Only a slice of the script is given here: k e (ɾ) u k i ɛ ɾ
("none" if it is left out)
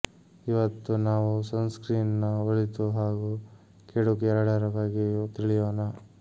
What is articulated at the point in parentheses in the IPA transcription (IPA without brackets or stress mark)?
ɽ